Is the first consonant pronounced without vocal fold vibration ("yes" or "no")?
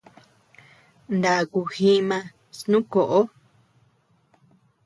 no